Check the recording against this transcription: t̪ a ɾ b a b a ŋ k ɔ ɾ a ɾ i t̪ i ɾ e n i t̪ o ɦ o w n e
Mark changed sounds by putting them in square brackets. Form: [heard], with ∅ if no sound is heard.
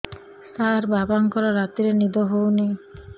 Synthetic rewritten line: t̪ a ɾ b a b a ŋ k ɔ ɾ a ɾ [a] t̪ i ɾ e n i [d̪] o ɦ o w n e